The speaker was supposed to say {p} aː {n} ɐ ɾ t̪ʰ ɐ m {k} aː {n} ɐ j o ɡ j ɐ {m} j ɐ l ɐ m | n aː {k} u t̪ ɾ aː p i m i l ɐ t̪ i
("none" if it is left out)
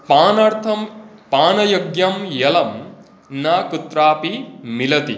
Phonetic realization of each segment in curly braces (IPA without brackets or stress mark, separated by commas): p, n, p, n, m, k